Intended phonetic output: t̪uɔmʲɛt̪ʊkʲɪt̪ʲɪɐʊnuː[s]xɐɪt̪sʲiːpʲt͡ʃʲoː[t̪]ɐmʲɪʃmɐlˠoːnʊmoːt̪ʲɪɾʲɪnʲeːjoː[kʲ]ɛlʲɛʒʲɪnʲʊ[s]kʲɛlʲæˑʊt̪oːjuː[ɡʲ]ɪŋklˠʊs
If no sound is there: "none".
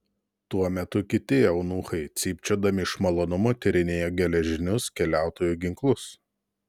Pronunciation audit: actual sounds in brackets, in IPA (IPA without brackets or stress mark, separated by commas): none, d̪, ɡʲ, s, ɡʲ